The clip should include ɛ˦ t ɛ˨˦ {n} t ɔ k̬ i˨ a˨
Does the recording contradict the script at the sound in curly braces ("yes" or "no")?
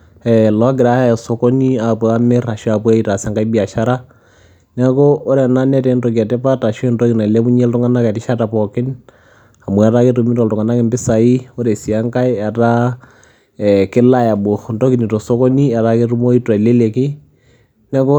no